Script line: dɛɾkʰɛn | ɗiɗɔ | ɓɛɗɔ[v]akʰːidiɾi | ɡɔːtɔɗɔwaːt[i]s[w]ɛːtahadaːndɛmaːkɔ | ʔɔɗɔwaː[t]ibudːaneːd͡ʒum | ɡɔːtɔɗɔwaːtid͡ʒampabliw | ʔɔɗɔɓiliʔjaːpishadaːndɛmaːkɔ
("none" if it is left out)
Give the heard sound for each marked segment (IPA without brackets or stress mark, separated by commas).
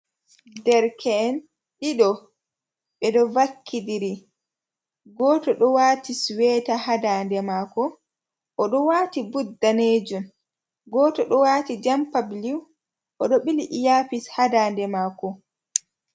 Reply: v, i, w, t